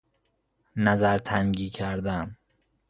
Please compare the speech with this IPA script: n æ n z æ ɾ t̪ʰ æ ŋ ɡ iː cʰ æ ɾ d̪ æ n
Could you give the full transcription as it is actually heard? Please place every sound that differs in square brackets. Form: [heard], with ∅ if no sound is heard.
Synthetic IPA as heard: n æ [∅] z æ ɾ t̪ʰ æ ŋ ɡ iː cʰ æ ɾ d̪ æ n